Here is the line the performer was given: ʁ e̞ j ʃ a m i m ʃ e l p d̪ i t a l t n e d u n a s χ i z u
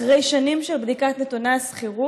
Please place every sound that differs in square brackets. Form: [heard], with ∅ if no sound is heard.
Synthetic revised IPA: ʁ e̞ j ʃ a [n] i m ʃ e l [b] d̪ i [k] a [∅] t n e [t] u n a s χ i [ʁ] u